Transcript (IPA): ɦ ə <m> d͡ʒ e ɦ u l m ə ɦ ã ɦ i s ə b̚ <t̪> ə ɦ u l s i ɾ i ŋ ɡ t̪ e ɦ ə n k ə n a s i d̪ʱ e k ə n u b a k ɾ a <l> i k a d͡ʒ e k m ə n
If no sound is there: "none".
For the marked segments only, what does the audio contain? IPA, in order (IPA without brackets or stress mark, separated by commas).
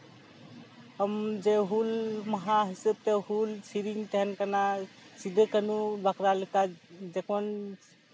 m, t̪, l